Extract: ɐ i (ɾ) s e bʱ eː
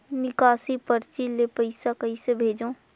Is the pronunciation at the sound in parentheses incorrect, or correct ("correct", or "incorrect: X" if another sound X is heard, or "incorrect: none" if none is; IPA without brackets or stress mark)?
incorrect: none